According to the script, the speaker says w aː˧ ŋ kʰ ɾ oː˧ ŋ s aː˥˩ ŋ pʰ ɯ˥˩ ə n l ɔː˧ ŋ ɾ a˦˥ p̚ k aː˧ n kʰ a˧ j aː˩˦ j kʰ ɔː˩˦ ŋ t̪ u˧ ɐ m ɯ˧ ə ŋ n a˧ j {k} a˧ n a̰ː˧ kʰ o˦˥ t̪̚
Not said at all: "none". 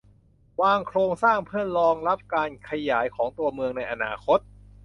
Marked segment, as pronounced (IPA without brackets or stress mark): ʔ